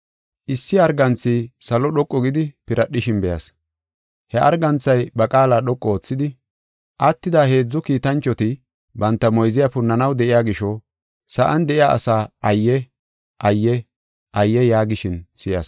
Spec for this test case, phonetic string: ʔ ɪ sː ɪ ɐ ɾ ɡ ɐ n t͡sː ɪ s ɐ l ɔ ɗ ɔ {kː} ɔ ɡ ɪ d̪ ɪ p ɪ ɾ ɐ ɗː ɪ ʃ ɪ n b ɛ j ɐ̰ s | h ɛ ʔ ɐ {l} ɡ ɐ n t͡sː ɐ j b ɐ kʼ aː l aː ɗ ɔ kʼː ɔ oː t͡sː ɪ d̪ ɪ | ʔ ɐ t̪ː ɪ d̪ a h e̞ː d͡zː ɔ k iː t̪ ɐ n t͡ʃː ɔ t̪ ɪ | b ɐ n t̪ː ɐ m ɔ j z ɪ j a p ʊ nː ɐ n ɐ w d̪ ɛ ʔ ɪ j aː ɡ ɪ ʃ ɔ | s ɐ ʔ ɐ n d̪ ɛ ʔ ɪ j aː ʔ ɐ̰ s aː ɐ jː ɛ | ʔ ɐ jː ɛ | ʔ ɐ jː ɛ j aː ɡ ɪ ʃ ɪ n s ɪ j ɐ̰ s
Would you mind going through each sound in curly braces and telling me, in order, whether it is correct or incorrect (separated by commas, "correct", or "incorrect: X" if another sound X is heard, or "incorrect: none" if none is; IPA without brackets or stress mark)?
incorrect: kʼː, incorrect: ɾ